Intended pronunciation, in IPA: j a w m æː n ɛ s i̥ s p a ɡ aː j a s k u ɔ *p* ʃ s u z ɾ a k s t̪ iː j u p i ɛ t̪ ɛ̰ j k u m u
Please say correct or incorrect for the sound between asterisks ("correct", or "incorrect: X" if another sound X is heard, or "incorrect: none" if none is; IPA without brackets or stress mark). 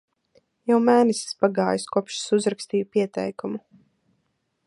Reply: correct